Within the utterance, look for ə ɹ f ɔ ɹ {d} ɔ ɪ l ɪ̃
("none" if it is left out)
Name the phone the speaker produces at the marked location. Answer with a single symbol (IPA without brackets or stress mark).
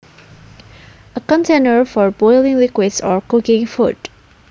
b